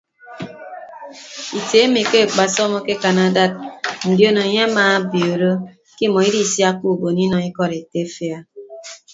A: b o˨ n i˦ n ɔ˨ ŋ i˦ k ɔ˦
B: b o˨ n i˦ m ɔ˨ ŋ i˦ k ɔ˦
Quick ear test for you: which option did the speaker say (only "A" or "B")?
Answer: A